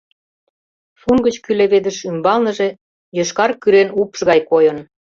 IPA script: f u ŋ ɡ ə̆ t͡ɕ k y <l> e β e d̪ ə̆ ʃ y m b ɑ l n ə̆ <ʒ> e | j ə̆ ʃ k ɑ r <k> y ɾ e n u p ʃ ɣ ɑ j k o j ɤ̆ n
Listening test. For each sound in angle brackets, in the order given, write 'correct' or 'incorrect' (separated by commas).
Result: correct, correct, correct